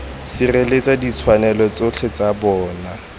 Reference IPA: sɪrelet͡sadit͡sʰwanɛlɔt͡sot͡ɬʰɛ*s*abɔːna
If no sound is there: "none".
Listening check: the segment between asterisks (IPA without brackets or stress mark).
t͡s